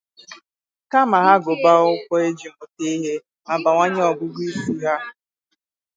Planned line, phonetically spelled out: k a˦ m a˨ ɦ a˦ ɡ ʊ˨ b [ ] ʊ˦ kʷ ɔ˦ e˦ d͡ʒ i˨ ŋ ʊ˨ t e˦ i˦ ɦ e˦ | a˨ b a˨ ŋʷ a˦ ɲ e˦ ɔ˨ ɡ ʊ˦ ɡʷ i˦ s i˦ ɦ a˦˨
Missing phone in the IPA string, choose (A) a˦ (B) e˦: A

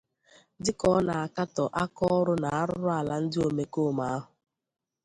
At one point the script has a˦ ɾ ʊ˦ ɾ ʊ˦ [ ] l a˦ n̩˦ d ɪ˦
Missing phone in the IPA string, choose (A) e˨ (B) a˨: B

